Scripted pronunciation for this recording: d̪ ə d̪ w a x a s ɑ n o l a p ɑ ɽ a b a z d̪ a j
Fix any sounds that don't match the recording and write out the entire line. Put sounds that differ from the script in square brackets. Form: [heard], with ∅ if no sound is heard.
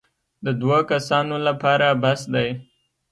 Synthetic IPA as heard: d̪ ə d̪ w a [k] a s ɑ n o l a p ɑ [ɾ] a b a [s] d̪ a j